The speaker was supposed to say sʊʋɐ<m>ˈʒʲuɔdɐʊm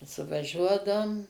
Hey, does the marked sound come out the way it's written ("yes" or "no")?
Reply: no